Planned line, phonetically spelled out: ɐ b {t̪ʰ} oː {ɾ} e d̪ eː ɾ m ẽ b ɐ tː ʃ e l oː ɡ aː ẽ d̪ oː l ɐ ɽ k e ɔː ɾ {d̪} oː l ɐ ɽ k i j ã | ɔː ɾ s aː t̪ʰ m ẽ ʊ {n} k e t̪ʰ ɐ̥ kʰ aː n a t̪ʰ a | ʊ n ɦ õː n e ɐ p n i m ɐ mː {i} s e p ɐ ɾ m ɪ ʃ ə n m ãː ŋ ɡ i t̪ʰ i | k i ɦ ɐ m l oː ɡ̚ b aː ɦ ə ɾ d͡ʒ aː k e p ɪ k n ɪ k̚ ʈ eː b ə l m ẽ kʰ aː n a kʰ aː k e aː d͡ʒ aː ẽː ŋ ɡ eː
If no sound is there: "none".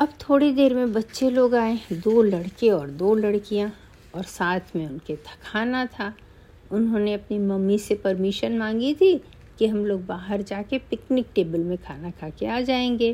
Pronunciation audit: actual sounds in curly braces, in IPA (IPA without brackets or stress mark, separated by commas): t̪ʰ, ɽ, d̪, n, i